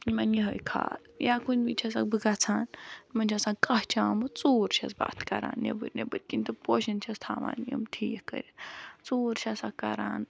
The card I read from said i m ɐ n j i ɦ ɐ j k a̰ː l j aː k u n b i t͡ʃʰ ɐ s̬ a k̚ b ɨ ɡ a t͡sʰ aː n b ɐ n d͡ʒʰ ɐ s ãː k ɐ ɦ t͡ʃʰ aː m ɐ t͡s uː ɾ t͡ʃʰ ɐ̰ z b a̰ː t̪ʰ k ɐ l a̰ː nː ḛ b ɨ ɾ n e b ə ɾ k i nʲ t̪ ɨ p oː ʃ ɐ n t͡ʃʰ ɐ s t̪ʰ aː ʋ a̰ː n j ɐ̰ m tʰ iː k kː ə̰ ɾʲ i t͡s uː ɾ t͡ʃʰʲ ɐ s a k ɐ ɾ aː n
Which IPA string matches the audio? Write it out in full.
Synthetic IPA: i m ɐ n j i ɦ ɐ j kʰ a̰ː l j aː k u n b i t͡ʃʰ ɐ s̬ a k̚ b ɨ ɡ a t͡sʰ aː n m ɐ n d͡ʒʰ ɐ s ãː k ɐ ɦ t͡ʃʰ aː m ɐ t͡s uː ɾ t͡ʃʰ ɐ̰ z b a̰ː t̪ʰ k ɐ ɾ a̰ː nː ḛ b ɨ ɾ n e b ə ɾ k i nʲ t̪ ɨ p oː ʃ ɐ n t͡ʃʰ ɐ s t̪ʰ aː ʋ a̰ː n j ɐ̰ m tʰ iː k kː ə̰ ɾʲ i t͡s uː ɾ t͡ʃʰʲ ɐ s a k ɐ ɾ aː n